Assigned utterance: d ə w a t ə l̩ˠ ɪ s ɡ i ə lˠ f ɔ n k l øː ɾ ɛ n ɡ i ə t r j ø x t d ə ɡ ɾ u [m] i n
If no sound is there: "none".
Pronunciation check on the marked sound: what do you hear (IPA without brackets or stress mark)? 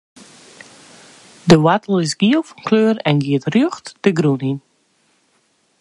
n